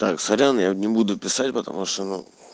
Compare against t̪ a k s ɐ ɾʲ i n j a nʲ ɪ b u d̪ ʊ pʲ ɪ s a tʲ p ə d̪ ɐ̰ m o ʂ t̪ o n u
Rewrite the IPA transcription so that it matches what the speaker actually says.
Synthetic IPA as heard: t̪ a k s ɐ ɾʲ a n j a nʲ ɪ b u d̪ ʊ pʲ ɪ s a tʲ p ə t̪ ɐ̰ m u ʂ t̪ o n u